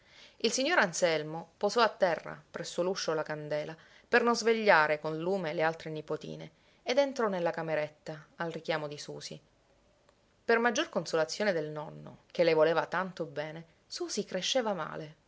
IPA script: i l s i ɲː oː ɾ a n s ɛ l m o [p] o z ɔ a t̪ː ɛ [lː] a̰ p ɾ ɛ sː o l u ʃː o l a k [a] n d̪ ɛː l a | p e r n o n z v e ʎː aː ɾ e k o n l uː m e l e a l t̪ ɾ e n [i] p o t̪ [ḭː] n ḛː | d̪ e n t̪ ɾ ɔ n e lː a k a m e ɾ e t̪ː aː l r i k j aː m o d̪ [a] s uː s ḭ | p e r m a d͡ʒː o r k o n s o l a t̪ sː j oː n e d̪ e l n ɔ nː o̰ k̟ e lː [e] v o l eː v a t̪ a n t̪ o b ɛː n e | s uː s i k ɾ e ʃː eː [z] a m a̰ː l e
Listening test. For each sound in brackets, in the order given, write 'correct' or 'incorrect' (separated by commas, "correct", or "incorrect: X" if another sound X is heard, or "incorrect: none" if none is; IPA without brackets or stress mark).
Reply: correct, incorrect: rː, correct, correct, correct, incorrect: i, correct, incorrect: v